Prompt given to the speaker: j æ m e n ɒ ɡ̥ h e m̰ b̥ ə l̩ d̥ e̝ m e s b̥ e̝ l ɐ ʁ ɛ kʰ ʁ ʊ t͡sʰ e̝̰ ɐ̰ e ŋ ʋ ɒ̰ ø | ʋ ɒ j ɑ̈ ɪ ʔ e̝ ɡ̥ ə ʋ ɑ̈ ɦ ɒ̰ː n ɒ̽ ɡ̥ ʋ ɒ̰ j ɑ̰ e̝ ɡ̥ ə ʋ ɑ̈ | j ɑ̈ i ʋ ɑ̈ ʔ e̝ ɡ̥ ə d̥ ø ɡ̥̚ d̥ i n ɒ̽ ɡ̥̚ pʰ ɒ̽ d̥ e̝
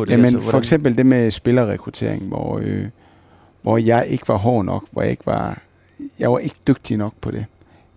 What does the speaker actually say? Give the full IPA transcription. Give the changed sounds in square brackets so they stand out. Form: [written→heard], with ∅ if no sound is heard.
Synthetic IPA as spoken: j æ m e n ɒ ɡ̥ [h→s] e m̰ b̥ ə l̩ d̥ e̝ m e s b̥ e̝ l ɐ ʁ ɛ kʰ ʁ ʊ t͡sʰ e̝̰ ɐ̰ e ŋ ʋ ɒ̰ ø | ʋ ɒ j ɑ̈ ɪ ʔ e̝ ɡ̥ ə ʋ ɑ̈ ɦ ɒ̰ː n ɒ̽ ɡ̥ ʋ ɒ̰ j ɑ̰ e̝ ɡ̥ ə ʋ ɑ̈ | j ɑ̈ [i→ɪ] ʋ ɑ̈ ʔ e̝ ɡ̥ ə d̥ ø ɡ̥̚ d̥ i n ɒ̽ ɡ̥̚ pʰ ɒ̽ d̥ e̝